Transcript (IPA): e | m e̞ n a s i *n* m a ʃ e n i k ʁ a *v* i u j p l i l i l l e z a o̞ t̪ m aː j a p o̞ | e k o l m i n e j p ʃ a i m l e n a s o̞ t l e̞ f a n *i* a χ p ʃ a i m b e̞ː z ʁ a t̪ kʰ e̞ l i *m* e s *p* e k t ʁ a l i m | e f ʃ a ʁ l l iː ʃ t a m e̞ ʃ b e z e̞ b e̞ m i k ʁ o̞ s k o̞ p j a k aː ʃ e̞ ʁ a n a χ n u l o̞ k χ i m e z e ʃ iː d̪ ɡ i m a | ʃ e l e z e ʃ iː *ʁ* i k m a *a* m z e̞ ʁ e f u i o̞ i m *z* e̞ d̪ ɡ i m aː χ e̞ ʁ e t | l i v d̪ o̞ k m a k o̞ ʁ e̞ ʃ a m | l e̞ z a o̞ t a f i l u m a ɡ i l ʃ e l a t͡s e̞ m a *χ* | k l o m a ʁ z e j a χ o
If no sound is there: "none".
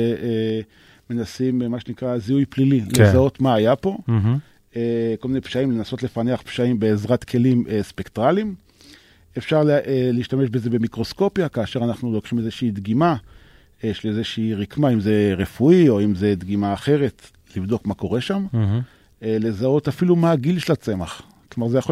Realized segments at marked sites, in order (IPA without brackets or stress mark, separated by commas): m, z, e, m, p, ʁ, i, z, χ